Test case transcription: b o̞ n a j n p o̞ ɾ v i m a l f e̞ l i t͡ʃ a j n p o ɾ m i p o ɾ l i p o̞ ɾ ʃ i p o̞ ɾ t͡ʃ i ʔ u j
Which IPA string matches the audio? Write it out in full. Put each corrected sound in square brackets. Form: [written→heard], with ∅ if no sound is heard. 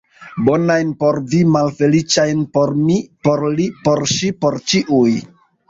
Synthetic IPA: b o̞ n a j n p o̞ ɾ v i m a l f e̞ l i t͡ʃ a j n p o ɾ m i p o ɾ l i p o̞ ɾ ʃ i p o̞ ɾ t͡ʃ i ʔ u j